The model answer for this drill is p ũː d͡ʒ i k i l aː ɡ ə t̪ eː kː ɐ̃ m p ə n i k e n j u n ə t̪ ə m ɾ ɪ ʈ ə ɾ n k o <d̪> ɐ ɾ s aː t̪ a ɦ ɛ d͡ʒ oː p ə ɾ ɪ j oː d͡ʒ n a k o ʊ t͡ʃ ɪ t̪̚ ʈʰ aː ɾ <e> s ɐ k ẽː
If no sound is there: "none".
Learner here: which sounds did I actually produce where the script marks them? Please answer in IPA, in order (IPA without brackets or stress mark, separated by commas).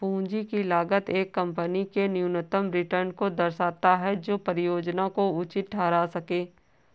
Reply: d̪, a